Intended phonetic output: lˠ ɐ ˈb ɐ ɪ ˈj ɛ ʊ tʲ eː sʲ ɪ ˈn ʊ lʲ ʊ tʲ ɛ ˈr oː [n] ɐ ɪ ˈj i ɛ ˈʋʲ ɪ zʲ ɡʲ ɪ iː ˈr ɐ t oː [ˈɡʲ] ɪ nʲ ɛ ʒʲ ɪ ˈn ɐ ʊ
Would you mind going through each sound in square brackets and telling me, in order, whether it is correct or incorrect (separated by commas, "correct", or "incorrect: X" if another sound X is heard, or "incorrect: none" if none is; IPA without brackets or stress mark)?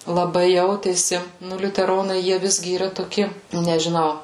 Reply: correct, incorrect: kʲ